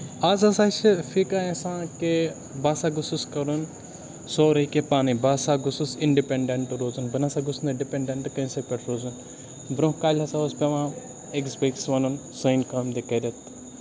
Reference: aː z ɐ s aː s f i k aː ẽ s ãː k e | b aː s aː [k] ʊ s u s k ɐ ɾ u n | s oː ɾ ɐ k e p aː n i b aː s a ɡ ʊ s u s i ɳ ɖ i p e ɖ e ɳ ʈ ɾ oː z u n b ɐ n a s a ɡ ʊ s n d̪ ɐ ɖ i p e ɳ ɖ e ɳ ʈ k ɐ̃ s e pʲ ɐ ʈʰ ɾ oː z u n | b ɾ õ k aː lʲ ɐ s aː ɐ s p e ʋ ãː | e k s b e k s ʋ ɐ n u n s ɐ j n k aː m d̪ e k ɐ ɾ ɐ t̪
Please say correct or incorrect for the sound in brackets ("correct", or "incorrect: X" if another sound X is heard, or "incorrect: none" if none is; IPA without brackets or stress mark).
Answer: incorrect: ɡ